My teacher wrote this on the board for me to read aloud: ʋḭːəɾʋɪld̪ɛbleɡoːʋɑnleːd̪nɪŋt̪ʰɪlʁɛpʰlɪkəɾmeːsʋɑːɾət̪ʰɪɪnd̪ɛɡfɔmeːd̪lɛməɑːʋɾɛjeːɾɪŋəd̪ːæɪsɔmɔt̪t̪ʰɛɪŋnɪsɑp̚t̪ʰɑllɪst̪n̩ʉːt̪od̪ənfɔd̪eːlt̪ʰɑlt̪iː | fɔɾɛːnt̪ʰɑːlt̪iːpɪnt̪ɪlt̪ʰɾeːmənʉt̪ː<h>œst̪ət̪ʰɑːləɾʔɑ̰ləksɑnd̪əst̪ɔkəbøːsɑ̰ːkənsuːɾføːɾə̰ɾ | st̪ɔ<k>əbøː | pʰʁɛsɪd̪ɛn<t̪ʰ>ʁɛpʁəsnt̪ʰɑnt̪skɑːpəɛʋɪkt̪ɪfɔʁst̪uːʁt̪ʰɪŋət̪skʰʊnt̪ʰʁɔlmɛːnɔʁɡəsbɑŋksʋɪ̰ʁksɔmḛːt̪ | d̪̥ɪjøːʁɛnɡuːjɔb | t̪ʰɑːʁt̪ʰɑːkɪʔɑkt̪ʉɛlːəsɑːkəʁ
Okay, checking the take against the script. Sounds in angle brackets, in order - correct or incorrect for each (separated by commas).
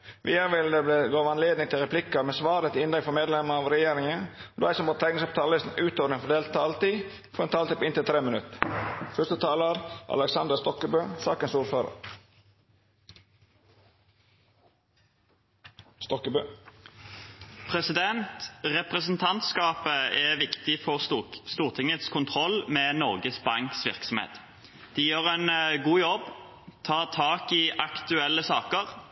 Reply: incorrect, correct, incorrect